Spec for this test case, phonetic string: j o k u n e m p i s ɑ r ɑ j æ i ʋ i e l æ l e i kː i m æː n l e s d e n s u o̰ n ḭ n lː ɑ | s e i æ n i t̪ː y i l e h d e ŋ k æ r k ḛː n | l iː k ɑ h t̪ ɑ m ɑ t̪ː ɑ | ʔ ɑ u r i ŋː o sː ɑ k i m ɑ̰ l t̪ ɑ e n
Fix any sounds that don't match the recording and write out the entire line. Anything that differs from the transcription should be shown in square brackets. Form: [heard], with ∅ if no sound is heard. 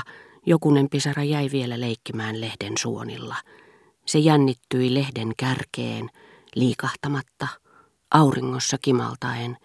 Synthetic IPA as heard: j o k u n e m p i s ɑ r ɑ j æ i ʋ i e l æ l e i kː i m æː n l e [h] d e n s u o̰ n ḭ [∅] lː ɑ | s e [j] æ [nː] i t̪ː y i l e h d e ŋ k æ r k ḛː n | l iː k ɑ h t̪ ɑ m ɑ t̪ː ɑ | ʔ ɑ u r i ŋː o sː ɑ k i m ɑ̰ l t̪ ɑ e n